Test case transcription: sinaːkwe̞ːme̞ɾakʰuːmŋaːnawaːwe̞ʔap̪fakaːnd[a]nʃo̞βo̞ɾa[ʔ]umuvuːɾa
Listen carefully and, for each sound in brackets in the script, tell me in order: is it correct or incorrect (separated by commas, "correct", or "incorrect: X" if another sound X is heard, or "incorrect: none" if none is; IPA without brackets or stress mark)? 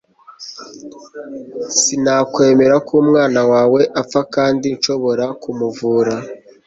incorrect: i, incorrect: k